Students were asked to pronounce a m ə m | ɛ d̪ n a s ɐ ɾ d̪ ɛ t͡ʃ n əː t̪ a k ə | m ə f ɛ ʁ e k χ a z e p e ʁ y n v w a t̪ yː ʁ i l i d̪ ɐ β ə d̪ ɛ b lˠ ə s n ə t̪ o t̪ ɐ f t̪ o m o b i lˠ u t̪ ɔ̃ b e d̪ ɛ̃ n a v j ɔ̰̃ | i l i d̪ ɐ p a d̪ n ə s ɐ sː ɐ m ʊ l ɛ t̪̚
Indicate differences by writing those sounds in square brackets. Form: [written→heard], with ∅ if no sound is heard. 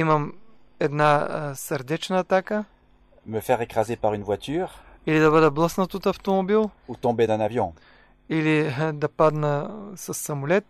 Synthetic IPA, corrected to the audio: [a→i] m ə m | ɛ d̪ n a s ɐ ɾ d̪ ɛ t͡ʃ n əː t̪ a k ə | m ə f ɛ ʁ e k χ a z e p [e→a] ʁ y n v w a t̪ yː ʁ i l i d̪ ɐ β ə d̪ ɛ b lˠ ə s n ə t̪ o t̪ ɐ f t̪ o m o b i lˠ u t̪ ɔ̃ b e d̪ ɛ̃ n a v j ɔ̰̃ | i l i d̪ ɐ p a d̪ n ə s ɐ sː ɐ m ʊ l ɛ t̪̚